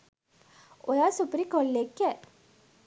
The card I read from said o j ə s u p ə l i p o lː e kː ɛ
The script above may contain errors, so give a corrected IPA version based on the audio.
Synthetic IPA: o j a s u p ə ɾ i k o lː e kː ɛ